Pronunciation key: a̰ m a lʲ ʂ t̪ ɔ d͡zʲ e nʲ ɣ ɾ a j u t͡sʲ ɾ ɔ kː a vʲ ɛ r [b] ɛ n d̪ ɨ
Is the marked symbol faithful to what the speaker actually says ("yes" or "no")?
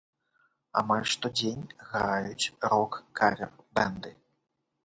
yes